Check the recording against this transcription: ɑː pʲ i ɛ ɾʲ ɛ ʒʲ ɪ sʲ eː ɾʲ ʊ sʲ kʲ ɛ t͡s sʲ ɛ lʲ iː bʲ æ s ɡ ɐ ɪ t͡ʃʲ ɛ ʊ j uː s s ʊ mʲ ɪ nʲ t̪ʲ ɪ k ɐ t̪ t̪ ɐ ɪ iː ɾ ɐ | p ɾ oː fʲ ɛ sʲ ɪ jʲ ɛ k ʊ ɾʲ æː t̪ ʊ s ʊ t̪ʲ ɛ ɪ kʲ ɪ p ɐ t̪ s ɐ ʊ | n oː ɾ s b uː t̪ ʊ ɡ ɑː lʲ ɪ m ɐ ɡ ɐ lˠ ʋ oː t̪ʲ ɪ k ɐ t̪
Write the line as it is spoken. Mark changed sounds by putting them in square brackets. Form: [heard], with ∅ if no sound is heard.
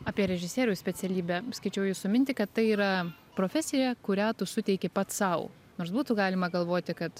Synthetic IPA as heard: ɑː pʲ i ɛ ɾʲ ɛ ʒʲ ɪ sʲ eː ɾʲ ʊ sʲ [pʲ] ɛ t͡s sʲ ɛ lʲ iː bʲ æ s [k] ɐ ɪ t͡ʃʲ ɛ ʊ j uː s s ʊ mʲ ɪ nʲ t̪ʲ ɪ k ɐ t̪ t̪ ɐ ɪ iː ɾ ɐ | p ɾ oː fʲ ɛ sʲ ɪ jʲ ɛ k ʊ ɾʲ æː t̪ ʊ s ʊ t̪ʲ ɛ ɪ kʲ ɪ p ɐ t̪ s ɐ ʊ | n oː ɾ s b uː t̪ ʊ ɡ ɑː lʲ ɪ m ɐ ɡ ɐ lˠ ʋ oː t̪ʲ ɪ k ɐ t̪